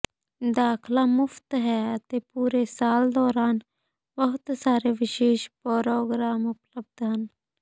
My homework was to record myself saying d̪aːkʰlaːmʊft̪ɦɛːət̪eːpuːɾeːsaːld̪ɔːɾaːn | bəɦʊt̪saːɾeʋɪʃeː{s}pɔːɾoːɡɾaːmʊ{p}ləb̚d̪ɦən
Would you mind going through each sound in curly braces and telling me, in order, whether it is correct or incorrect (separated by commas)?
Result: incorrect, correct